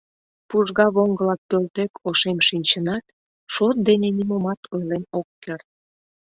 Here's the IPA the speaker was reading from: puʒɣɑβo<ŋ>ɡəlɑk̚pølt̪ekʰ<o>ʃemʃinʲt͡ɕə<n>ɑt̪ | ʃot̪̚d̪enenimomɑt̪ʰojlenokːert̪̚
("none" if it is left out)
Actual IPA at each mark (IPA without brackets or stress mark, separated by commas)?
ŋ, o, n